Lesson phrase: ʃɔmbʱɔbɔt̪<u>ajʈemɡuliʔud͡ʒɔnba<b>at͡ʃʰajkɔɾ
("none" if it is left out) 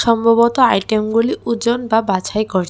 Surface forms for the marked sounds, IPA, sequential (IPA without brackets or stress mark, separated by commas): ɔ, b